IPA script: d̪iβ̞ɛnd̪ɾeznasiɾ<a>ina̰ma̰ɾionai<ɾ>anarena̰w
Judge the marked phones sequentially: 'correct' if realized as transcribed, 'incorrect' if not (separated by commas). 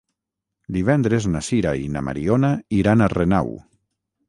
correct, correct